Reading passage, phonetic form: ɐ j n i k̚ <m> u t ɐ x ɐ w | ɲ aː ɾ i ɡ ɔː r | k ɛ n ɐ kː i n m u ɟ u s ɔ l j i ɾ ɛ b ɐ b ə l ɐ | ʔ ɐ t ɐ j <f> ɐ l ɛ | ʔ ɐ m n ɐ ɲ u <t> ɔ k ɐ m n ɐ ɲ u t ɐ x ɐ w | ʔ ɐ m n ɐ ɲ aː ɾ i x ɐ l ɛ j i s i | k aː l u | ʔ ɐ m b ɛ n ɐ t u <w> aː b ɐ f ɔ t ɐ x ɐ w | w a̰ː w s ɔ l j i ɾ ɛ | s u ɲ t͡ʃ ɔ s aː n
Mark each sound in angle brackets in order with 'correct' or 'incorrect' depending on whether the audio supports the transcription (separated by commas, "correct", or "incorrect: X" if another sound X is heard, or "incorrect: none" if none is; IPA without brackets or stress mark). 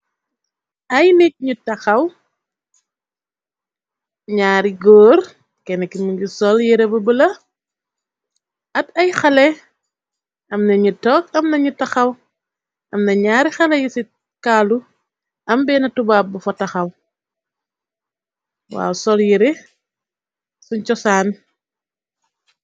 incorrect: ɲ, incorrect: x, correct, incorrect: b